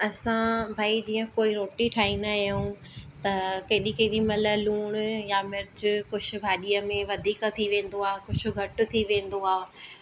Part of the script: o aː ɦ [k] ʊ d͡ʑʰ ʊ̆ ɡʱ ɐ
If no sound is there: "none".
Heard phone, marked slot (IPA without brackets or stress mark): k